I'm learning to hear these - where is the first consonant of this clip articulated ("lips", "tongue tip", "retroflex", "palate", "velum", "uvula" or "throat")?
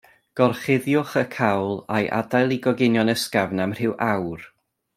velum